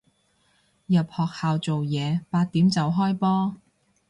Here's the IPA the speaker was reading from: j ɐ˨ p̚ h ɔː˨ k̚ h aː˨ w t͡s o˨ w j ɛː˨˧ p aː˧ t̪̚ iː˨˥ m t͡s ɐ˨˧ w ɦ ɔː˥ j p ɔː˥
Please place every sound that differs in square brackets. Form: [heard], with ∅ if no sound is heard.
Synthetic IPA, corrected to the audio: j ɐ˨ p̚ h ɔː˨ k̚ h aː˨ w t͡s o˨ w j ɛː˨˧ p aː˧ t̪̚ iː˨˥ m t͡s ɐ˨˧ w ɦ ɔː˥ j p ɔː˥

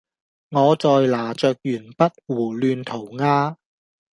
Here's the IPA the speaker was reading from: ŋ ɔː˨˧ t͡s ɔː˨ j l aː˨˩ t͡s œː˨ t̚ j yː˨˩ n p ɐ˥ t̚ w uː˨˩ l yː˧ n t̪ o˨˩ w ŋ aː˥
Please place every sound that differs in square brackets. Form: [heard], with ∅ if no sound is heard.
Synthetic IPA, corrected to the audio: ŋ ɔː˨˧ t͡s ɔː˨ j l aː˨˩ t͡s œː˨ [k̚] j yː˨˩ n p ɐ˥ t̚ w uː˨˩ l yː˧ n [t̪ʰ] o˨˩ w ŋ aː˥

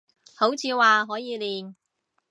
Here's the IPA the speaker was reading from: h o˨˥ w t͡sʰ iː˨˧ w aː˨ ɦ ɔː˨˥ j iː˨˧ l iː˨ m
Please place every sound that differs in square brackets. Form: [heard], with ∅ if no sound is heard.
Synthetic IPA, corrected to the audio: h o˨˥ w t͡sʰ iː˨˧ w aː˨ ɦ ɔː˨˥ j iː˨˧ l iː˨ [n]

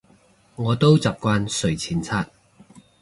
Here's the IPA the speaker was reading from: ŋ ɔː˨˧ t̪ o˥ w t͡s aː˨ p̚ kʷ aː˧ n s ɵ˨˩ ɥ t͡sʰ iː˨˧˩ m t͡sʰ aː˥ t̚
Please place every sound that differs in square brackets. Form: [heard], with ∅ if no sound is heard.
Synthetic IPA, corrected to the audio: ŋ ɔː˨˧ t̪ o˥ w t͡s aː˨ p̚ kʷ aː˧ n s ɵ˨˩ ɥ t͡sʰ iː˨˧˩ [n] t͡sʰ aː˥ t̚

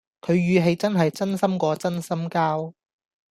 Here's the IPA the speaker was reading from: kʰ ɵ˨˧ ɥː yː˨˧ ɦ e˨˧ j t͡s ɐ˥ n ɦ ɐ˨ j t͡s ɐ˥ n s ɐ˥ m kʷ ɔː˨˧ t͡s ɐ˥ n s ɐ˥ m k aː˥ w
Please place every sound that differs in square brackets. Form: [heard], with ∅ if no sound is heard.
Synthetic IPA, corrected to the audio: kʰ ɵ˨˧ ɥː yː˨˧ ɦ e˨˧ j t͡s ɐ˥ n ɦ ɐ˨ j t͡s ɐ˥ n s ɐ˥ m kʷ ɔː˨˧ t͡s ɐ˥ n s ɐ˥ m k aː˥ w

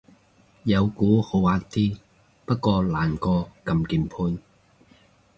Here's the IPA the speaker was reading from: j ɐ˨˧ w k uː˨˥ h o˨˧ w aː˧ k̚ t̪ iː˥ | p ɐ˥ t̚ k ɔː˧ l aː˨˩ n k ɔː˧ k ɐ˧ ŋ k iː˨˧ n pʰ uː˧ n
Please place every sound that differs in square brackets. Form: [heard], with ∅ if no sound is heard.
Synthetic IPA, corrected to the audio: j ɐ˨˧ w k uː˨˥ h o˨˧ w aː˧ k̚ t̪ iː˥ | p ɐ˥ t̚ k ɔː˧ l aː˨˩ n k ɔː˧ k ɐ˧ [m] k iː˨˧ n pʰ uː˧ n

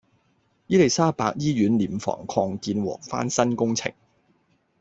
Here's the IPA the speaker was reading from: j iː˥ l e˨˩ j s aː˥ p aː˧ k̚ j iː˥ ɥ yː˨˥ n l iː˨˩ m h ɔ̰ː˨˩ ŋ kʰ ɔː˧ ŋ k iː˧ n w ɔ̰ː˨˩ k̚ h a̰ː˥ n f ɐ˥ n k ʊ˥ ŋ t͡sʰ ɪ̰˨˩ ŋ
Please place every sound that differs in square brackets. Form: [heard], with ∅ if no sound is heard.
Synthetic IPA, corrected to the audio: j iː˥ l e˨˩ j s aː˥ p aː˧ k̚ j iː˥ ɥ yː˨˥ n l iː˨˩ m [f] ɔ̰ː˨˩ ŋ kʰ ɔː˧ ŋ k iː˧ n w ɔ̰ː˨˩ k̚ [f] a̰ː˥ n [s] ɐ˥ n k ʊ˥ ŋ t͡sʰ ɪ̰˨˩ ŋ

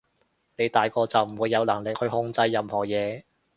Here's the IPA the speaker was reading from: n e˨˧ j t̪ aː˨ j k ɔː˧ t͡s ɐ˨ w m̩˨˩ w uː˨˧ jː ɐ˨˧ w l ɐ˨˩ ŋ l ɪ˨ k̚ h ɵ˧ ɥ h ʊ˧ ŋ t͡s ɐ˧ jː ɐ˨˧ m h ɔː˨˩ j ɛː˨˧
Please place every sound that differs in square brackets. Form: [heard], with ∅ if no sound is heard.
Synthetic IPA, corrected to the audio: n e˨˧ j t̪ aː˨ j k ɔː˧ t͡s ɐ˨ w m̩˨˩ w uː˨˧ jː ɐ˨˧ w l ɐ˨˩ ŋ l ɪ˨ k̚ h ɵ˧ ɥ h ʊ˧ ŋ t͡s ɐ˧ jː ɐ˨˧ m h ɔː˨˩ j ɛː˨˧

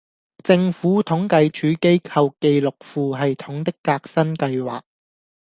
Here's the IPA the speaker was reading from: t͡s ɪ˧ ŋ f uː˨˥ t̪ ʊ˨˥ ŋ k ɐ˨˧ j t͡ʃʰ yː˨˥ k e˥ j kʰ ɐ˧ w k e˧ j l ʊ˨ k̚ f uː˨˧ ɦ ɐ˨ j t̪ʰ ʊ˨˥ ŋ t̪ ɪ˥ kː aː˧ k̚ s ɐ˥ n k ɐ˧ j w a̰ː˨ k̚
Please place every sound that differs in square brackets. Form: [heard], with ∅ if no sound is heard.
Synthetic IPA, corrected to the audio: t͡s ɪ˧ ŋ f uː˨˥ [t̪ʰ] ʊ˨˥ ŋ k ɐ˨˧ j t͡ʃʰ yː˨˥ k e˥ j kʰ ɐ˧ w k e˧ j l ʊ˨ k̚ f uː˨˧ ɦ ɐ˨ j t̪ʰ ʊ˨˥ ŋ t̪ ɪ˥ kː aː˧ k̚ s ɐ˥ n k ɐ˧ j w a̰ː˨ k̚

